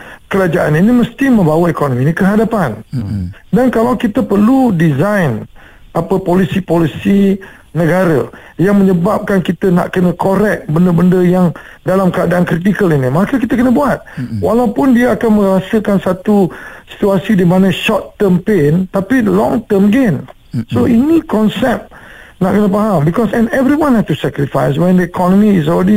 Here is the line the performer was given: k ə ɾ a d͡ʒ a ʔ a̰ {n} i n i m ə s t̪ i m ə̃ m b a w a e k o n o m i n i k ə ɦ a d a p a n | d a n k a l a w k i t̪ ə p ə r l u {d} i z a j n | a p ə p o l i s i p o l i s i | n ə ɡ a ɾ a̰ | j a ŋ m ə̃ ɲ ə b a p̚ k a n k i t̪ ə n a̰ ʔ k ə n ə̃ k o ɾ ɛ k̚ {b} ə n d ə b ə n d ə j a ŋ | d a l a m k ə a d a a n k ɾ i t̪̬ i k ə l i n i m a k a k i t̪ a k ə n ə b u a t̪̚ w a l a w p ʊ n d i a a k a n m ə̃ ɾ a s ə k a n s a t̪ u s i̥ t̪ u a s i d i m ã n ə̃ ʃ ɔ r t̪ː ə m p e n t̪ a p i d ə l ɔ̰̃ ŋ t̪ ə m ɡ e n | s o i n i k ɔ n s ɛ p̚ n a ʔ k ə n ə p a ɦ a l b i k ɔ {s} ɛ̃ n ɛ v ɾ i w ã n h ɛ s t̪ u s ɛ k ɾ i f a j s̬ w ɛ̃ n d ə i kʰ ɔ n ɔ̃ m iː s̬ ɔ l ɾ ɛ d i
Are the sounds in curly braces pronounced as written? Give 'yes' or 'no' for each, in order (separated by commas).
yes, yes, yes, yes